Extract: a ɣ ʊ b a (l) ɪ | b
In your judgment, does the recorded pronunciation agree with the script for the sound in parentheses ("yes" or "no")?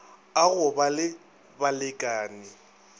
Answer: yes